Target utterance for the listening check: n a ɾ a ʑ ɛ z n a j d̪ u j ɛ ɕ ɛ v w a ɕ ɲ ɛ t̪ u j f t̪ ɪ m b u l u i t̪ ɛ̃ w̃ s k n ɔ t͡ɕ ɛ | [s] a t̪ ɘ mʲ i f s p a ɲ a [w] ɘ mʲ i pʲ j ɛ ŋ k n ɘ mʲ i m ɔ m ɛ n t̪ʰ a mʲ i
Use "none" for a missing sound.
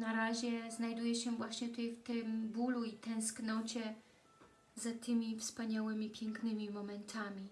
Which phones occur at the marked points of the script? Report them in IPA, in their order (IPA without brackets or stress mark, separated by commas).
z, w